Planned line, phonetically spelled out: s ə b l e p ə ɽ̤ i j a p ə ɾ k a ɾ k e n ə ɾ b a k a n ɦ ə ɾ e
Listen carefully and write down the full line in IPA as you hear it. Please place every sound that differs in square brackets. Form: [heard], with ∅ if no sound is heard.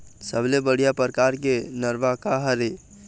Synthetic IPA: s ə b l e [b] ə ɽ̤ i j a p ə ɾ k a ɾ k e n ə ɾ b a k a [∅] ɦ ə ɾ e